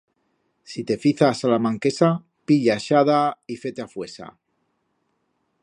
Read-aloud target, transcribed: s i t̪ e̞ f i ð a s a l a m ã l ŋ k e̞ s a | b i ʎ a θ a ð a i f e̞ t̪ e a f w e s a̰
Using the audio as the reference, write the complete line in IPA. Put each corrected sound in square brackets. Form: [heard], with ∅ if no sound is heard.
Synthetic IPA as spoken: s i t̪ e̞ f i [θ] a s a l a m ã [∅] ŋ k e̞ s a | [p] i ʎ a [ʃ] a ð a i f e̞ t̪ e a f w e s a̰